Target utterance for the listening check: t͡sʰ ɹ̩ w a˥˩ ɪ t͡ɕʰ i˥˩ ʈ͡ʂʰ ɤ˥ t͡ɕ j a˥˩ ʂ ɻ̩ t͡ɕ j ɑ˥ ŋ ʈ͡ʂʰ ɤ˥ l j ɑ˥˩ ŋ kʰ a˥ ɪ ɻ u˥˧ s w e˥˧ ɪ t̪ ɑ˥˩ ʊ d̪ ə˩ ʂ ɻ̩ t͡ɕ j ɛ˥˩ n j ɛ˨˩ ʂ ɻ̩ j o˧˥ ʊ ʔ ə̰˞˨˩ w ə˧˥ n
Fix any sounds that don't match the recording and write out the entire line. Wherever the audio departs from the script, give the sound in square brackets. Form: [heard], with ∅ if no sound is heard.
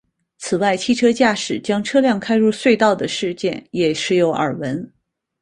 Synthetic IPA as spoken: t͡sʰ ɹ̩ w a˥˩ ɪ t͡ɕʰ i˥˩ ʈ͡ʂʰ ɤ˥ t͡ɕ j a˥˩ ʂ ɻ̩ t͡ɕ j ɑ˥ ŋ ʈ͡ʂʰ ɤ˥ l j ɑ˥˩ ŋ kʰ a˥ ɪ ɻ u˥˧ s w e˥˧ ɪ t̪ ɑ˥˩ ʊ d̪ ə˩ ʂ ɻ̩ t͡ɕ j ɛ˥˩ n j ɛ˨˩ ʂ ɻ̩ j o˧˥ ʊ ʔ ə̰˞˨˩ w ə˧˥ n